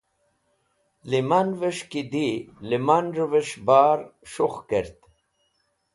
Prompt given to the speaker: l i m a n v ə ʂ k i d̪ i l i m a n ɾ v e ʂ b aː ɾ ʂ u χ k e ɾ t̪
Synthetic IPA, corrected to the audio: l i m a n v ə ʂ k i d̪ i l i m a n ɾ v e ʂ b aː ɾ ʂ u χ k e ɾ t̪